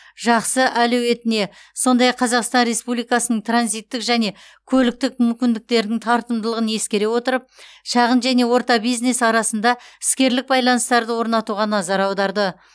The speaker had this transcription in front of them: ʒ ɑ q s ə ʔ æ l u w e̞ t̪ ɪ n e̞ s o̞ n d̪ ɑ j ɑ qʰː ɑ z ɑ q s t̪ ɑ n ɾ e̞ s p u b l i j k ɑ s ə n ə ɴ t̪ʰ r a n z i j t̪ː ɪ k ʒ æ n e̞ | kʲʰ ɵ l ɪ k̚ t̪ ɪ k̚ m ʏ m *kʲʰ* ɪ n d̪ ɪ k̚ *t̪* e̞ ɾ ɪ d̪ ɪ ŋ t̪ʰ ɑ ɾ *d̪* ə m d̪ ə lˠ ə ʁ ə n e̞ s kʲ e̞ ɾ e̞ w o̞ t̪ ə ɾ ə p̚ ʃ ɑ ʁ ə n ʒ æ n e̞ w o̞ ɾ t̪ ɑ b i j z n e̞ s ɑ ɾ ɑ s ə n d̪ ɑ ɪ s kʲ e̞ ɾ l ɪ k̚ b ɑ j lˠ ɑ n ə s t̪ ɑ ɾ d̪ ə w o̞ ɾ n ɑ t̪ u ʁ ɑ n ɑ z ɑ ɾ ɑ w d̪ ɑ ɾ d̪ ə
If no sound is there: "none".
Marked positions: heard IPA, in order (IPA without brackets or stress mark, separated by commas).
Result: kʲ, t̪, t̪